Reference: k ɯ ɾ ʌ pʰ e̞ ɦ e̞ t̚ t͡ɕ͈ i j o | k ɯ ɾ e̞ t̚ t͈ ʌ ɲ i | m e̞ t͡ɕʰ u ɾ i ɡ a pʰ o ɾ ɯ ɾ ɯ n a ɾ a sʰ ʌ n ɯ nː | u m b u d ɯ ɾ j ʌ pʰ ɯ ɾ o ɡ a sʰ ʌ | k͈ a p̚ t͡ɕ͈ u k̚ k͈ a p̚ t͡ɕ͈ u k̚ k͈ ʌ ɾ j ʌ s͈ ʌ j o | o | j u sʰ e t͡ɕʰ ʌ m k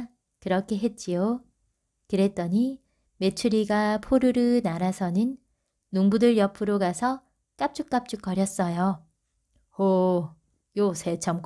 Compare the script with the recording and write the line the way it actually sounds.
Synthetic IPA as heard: k ɯ ɾ ʌ kʰ e̞ ɦ e̞ t̚ t͡ɕ͈ i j o | k ɯ ɾ e̞ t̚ t͈ ʌ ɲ i | m e̞ t͡ɕʰ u ɾ i ɡ a pʰ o ɾ ɯ ɾ ɯ n a ɾ a sʰ ʌ n ɯ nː | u ŋ b u d ɯ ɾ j ʌ pʰ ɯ ɾ o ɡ a sʰ ʌ | k͈ a p̚ t͡ɕ͈ u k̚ k͈ a p̚ t͡ɕ͈ u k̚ k͈ ʌ ɾ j ʌ s͈ ʌ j o | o | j o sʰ e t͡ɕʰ ʌ m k